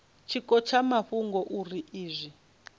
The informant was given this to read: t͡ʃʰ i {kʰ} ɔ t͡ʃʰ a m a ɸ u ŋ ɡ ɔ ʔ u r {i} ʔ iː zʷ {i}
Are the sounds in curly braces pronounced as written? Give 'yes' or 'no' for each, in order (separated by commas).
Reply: no, yes, yes